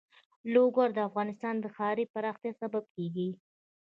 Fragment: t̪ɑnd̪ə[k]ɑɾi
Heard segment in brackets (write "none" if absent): x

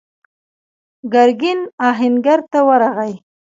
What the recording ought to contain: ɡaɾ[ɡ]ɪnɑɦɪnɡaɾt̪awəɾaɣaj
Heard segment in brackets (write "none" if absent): ɡ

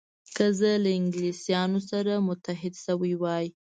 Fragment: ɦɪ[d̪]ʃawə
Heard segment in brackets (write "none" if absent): d̪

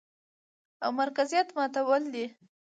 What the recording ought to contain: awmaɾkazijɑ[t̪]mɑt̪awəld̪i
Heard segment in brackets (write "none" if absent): t̪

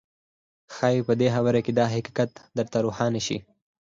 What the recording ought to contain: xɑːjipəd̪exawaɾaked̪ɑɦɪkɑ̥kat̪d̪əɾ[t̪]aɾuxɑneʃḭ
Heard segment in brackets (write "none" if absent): t̪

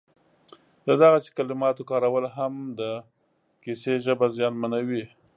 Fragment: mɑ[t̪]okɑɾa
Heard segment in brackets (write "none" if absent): t̪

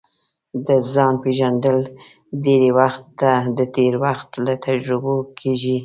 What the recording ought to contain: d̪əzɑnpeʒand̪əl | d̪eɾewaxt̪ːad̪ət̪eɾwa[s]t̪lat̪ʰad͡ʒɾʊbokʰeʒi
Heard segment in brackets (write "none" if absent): x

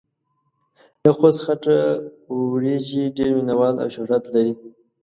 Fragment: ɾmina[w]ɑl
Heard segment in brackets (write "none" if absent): w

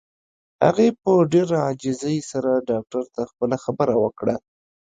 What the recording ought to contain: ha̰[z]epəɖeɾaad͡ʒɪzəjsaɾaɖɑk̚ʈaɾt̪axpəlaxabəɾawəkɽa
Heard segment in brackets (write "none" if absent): ɣ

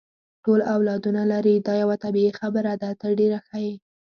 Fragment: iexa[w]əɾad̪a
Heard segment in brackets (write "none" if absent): b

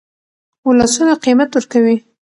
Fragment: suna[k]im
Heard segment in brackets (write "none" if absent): q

